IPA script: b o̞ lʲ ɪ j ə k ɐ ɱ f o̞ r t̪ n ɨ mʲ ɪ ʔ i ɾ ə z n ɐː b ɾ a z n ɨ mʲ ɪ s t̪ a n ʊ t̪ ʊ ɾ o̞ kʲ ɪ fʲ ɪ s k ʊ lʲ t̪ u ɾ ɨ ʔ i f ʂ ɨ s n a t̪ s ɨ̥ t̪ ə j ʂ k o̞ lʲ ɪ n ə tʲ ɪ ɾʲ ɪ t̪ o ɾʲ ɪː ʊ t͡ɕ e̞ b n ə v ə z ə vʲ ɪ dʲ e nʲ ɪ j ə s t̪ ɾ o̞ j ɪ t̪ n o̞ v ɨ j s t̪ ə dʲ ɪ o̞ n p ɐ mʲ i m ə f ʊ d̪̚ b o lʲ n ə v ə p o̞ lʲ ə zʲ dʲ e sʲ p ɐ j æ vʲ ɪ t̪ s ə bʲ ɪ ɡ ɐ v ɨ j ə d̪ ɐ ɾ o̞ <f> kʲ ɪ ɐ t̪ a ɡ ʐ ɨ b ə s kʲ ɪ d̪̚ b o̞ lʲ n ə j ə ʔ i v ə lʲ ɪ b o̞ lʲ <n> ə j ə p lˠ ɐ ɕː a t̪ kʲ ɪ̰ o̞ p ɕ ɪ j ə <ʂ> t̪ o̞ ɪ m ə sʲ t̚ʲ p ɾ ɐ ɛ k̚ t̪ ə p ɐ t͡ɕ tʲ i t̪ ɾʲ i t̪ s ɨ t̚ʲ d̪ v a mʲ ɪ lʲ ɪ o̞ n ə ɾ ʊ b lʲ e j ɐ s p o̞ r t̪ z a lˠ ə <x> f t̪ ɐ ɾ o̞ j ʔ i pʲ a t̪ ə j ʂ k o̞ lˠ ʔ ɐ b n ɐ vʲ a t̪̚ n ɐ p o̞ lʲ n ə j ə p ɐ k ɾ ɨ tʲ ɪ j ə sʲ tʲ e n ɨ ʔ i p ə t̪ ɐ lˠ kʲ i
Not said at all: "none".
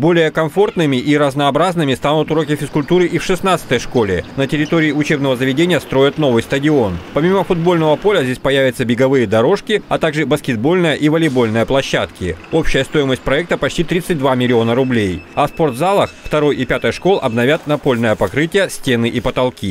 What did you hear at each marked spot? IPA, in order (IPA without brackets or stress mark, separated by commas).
ʂ, n, s, x